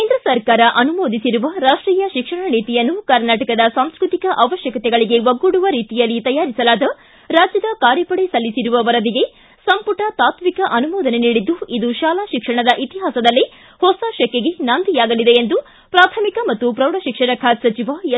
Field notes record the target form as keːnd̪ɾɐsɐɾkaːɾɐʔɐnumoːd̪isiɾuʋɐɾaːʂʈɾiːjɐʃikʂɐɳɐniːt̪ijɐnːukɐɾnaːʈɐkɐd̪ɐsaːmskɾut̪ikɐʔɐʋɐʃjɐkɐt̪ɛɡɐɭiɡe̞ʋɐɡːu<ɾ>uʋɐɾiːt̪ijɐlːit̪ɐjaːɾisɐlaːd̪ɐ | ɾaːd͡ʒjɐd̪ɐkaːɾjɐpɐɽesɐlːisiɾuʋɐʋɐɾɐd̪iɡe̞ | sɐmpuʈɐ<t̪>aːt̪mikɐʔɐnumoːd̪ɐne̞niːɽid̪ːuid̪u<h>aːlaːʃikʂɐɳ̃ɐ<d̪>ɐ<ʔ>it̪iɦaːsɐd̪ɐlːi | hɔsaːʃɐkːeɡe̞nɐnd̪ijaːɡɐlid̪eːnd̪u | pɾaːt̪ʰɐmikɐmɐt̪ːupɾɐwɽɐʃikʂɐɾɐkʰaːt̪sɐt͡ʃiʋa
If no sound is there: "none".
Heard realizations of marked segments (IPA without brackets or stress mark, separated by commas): ɽ, t̪, ʃ, d̪, ʔ